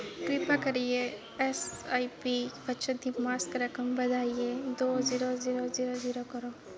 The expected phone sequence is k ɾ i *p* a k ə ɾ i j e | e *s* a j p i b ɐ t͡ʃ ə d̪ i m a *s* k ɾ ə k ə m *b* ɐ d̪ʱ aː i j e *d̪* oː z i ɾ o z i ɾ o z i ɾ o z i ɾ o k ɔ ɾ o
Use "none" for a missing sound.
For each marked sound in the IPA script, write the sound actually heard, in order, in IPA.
p, s, s, b, d̪

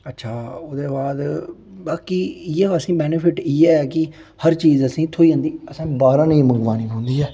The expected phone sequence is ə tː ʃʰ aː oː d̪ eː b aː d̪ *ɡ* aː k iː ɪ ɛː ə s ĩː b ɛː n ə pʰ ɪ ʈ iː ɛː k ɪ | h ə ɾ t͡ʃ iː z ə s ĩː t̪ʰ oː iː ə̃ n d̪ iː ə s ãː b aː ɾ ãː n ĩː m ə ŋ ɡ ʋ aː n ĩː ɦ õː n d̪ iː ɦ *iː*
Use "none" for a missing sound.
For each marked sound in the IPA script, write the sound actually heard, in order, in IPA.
b, ɛː

